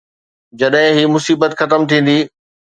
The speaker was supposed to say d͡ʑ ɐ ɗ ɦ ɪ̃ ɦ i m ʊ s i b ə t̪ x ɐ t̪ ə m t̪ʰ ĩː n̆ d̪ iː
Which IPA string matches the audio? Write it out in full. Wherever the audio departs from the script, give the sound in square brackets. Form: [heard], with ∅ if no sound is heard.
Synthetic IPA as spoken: d͡ʑ ɐ ɗ ɦ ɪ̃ ɦ i m ʊ s [iː] b ə t̪ x ɐ t̪ ə m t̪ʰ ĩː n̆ d̪ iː